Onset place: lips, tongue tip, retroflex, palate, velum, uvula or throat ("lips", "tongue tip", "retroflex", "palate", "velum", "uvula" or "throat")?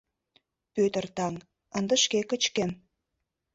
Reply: lips